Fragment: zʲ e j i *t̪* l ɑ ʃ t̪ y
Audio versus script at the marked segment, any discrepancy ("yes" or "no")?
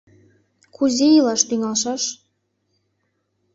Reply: yes